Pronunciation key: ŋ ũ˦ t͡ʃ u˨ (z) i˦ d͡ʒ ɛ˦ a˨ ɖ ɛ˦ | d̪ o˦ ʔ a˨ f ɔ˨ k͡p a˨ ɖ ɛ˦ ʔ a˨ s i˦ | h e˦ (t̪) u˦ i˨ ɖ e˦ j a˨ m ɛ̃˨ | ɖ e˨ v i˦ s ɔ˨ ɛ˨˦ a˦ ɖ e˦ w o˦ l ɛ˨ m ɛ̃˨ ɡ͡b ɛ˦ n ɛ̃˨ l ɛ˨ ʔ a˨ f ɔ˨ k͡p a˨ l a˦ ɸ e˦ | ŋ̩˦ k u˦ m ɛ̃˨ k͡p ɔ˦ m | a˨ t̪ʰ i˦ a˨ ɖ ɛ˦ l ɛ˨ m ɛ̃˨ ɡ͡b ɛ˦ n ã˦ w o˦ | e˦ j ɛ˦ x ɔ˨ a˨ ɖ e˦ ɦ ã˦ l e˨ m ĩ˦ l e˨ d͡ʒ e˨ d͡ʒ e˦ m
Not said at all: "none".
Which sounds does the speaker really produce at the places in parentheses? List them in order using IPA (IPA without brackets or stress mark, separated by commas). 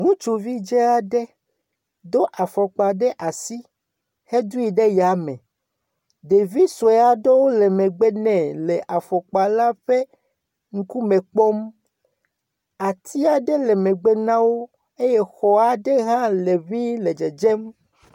v, d̪